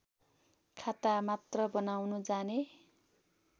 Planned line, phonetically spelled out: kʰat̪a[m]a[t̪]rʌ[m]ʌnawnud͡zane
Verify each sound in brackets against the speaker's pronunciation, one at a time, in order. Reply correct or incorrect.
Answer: correct, correct, incorrect: b

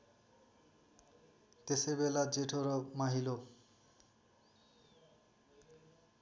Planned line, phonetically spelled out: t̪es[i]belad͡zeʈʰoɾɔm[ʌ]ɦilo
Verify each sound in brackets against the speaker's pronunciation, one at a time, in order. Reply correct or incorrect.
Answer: incorrect: e, incorrect: a

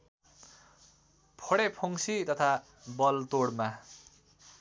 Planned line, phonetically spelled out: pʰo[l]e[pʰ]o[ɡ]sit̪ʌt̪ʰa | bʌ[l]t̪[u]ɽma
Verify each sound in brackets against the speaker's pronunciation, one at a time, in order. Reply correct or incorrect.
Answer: incorrect: ɽ, correct, incorrect: ŋ, correct, incorrect: o

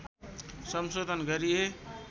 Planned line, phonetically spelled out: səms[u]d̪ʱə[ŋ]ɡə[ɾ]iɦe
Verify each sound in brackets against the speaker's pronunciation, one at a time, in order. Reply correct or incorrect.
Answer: incorrect: o, incorrect: n, correct

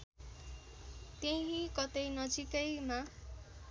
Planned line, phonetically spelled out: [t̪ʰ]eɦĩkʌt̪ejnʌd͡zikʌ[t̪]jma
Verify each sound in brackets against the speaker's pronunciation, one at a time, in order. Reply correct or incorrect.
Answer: incorrect: t̪, incorrect: none

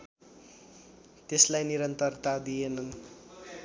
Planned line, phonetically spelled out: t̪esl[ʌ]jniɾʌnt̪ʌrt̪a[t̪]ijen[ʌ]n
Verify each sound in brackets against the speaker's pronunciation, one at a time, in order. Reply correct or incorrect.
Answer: incorrect: a, incorrect: d̪, correct

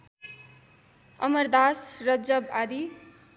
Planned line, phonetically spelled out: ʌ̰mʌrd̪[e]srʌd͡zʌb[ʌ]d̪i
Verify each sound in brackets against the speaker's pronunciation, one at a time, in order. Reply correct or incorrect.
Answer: incorrect: a, incorrect: a

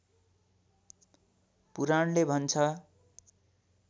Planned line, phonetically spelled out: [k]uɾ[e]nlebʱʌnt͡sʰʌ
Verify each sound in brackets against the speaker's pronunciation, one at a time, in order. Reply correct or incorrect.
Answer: incorrect: p, incorrect: a

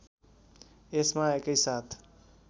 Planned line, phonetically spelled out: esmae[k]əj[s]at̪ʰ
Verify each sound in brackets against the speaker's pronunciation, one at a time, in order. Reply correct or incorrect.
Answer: correct, correct

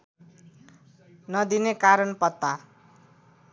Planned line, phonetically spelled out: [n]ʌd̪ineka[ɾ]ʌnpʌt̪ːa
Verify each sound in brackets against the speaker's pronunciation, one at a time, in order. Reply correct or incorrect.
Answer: correct, correct

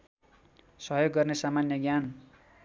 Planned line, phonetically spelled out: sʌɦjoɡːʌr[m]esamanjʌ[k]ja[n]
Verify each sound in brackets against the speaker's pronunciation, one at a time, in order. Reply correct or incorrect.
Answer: incorrect: n, incorrect: ɡ, correct

